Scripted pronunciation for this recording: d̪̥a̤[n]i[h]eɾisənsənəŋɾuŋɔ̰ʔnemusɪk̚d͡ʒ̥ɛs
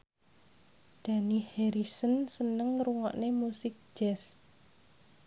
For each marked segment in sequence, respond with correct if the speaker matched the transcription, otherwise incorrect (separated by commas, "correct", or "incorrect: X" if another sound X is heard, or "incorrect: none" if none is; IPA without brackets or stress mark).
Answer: correct, correct